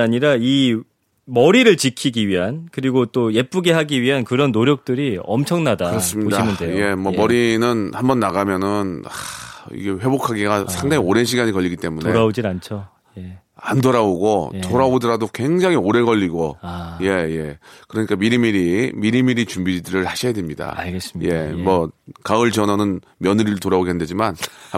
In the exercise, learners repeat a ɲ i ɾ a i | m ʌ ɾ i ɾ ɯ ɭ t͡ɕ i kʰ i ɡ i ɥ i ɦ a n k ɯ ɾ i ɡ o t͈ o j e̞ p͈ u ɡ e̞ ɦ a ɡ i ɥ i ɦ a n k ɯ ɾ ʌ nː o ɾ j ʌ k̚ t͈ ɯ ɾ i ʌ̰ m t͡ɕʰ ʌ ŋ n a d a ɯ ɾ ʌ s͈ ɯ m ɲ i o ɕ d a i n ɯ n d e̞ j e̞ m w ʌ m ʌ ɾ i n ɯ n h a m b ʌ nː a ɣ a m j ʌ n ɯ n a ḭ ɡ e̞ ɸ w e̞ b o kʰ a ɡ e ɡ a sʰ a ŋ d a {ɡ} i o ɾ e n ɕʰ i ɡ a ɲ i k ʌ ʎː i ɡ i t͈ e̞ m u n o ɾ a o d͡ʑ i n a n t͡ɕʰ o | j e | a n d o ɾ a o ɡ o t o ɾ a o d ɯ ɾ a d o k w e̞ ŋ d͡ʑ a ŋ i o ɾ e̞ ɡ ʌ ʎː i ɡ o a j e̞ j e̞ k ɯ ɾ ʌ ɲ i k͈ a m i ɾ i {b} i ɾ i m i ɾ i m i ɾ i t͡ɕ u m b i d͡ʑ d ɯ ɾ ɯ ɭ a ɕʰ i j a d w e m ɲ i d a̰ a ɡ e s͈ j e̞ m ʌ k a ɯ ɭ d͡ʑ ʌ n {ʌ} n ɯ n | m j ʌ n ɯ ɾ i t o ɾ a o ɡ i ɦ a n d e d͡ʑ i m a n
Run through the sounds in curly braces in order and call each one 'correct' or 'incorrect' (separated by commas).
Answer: incorrect, incorrect, correct